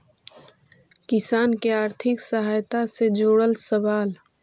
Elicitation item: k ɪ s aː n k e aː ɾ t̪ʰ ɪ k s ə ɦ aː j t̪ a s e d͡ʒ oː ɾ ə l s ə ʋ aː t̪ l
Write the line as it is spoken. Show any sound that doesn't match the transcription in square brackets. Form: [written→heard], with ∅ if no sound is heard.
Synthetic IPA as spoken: k ɪ s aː n k e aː ɾ t̪ʰ ɪ k s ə ɦ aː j t̪ a s e d͡ʒ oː [ɾ→ɽ] ə l s ə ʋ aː [t̪→∅] l